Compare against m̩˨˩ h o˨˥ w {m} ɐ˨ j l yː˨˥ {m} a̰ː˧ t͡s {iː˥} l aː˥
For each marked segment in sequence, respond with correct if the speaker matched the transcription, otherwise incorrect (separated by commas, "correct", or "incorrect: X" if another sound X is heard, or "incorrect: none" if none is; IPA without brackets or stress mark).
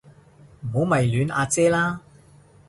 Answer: correct, incorrect: n, incorrect: ɛː˥